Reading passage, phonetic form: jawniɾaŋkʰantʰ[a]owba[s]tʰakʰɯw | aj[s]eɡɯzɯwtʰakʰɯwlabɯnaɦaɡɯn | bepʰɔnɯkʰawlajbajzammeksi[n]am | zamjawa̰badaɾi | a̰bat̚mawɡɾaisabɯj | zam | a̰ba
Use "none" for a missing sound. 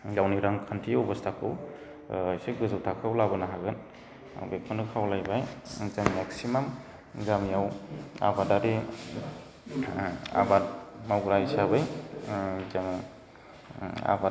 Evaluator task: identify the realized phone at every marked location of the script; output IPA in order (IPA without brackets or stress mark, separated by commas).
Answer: i, s, s, m